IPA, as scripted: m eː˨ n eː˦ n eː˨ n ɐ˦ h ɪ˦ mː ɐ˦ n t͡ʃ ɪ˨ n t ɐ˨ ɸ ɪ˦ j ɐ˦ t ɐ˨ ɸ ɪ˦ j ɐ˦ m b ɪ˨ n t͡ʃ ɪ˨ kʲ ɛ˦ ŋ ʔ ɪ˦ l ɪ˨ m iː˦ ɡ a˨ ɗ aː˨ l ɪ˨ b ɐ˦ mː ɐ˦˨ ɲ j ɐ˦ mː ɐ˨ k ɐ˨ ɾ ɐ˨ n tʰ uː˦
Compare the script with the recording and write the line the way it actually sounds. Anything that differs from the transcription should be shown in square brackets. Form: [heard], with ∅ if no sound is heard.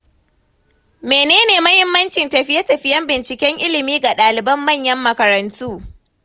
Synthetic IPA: m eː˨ n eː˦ n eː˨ [m] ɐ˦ h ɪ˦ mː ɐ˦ n t͡ʃ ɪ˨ n t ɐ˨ ɸ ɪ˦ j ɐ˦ t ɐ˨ ɸ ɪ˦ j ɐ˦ m b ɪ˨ n t͡ʃ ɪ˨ kʲ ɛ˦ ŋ ʔ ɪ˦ l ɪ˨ m iː˦ ɡ a˨ ɗ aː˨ l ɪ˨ b ɐ˦ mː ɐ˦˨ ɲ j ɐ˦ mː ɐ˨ k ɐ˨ ɾ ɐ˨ n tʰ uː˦